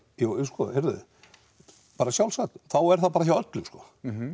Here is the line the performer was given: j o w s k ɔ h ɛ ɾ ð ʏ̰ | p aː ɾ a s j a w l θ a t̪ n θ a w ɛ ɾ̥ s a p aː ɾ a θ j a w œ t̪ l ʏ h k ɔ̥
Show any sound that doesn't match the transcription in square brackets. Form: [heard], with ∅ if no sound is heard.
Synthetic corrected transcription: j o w s k ɔ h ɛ ɾ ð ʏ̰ | p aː ɾ a s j a w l [s] a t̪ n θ a w ɛ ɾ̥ [θ] a p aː ɾ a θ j a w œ t̪ l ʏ [s] k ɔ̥